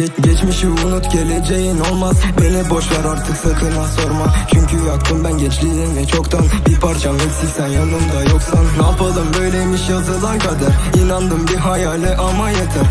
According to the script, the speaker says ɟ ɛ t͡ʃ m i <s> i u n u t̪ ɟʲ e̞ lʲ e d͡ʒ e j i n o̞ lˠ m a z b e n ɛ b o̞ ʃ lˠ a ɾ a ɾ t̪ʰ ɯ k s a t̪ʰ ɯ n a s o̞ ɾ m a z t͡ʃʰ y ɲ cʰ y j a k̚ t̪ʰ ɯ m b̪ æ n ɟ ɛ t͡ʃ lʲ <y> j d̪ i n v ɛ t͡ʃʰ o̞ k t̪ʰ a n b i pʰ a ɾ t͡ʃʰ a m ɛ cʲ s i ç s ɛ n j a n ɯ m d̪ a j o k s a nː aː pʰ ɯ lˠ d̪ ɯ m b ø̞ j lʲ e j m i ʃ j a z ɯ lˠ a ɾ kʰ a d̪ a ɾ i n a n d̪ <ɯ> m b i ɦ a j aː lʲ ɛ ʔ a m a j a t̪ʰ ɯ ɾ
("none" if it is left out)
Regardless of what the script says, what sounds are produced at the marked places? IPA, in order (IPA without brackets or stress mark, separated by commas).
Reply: ʃ, i, ɯ